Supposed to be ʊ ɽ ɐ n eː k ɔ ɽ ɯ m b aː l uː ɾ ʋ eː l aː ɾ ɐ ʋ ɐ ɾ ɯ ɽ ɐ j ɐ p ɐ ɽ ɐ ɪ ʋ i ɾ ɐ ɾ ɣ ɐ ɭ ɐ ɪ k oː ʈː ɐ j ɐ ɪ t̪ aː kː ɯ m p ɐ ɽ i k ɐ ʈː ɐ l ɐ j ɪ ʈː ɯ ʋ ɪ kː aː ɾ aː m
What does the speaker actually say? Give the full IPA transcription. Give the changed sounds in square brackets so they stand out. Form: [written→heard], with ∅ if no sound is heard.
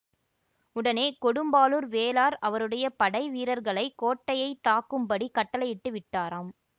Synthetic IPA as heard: ʊ ɽ ɐ n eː k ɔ ɽ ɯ m b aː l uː ɾ ʋ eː l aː ɾ ɐ ʋ ɐ ɾ ɯ ɽ ɐ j ɐ p ɐ ɽ ɐ ɪ ʋ [i→iː] ɾ ɐ ɾ ɣ ɐ ɭ ɐ ɪ k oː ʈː ɐ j ɐ ɪ t̪ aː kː ɯ m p ɐ ɽ i k ɐ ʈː ɐ l ɐ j ɪ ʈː ɯ ʋ ɪ [kː→ʈː] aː ɾ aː m

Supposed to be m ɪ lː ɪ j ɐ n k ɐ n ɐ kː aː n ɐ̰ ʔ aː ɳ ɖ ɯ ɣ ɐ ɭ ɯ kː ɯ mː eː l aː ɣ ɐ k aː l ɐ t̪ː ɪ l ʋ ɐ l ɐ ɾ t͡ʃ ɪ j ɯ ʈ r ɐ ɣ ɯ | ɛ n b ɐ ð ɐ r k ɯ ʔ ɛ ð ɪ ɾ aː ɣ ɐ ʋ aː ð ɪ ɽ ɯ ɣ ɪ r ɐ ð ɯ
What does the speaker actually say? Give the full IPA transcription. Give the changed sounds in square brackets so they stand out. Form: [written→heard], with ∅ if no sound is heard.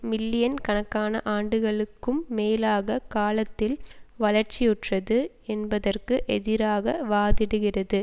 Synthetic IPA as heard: m ɪ lː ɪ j ɐ n k ɐ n ɐ kː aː n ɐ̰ ʔ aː ɳ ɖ ɯ ɣ ɐ ɭ ɯ kː ɯ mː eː l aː ɣ ɐ k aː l ɐ t̪ː ɪ l ʋ ɐ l ɐ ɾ t͡ʃ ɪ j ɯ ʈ r ɐ [ɣ→ð] ɯ | ɛ n b ɐ ð ɐ r k ɯ ʔ ɛ ð ɪ ɾ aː ɣ ɐ ʋ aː ð ɪ ɽ ɯ ɣ ɪ r ɐ ð ɯ

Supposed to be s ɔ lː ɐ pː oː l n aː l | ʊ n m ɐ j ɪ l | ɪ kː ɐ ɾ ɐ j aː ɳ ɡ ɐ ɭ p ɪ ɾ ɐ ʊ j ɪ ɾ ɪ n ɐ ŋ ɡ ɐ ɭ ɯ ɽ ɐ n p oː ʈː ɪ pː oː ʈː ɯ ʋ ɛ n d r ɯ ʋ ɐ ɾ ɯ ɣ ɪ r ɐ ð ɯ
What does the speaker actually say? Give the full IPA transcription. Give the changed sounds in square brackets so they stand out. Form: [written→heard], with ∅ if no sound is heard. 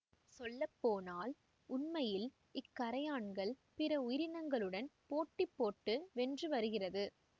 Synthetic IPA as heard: s ɔ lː ɐ pː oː [l→∅] n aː l | ʊ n m ɐ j ɪ l | ɪ kː ɐ ɾ ɐ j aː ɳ ɡ ɐ ɭ p ɪ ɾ ɐ ʊ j ɪ ɾ ɪ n ɐ ŋ ɡ ɐ ɭ ɯ ɽ ɐ n p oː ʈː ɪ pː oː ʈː ɯ ʋ ɛ n d r ɯ ʋ ɐ ɾ ɯ ɣ ɪ r ɐ ð ɯ

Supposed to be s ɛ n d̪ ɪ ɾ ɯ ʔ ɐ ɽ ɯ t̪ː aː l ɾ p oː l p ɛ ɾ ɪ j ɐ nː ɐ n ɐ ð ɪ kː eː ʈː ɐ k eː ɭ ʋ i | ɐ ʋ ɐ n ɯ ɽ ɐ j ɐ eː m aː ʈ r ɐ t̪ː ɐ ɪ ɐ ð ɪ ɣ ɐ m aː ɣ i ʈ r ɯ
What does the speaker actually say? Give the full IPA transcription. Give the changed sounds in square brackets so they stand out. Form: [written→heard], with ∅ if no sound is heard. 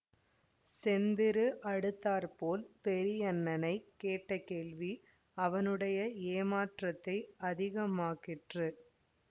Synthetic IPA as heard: s ɛ n d̪ ɪ ɾ ɯ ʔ ɐ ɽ ɯ t̪ː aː [l→∅] ɾ p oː l p ɛ ɾ ɪ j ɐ nː ɐ n ɐ [ð→∅] ɪ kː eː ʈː ɐ k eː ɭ ʋ i | ɐ ʋ ɐ n ɯ ɽ ɐ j ɐ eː m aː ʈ r ɐ t̪ː ɐ ɪ ɐ ð ɪ ɣ ɐ m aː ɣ [i→ɪ] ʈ r ɯ

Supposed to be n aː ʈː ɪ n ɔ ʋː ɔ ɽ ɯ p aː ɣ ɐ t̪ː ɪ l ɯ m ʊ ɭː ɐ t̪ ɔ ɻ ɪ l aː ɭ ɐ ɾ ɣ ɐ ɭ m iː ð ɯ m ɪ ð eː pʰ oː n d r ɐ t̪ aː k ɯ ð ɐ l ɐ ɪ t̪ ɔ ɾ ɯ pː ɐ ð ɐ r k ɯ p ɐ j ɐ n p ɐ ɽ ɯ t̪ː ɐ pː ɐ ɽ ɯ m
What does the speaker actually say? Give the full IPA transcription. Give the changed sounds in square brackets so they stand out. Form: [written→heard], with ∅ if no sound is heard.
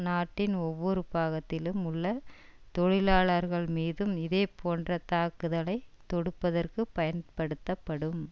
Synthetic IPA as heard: n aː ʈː ɪ n ɔ ʋː ɔ [ɽ→ɾ] ɯ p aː ɣ ɐ t̪ː ɪ l ɯ m ʊ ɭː ɐ t̪ ɔ ɻ ɪ l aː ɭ ɐ ɾ ɣ ɐ ɭ m iː ð ɯ m ɪ ð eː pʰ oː n d r ɐ t̪ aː k ɯ ð ɐ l ɐ ɪ t̪ ɔ [ɾ→ɽ] ɯ pː ɐ ð ɐ r k ɯ p ɐ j ɐ n p ɐ ɽ ɯ t̪ː ɐ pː ɐ ɽ ɯ m

